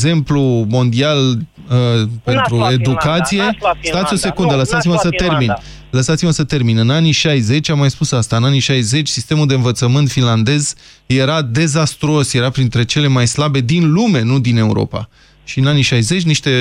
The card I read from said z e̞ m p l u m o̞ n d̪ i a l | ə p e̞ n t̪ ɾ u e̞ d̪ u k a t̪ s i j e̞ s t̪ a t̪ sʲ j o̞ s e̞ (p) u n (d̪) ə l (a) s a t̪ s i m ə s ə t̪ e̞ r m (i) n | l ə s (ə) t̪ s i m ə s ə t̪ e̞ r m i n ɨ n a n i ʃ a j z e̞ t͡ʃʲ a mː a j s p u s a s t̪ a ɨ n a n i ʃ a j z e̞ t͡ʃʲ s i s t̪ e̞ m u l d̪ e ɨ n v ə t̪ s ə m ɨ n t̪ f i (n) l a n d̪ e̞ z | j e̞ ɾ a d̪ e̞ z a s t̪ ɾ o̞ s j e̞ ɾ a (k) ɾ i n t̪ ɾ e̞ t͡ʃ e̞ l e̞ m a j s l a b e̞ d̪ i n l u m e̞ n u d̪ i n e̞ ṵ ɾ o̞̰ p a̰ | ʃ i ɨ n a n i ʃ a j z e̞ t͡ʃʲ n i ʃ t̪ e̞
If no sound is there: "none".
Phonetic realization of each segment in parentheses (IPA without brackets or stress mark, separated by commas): k, d̪, ə, i, a, n, p